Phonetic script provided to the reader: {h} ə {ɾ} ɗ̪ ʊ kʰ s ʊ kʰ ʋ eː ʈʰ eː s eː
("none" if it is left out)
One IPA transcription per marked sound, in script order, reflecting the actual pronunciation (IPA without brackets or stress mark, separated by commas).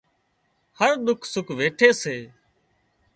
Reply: h, ɾ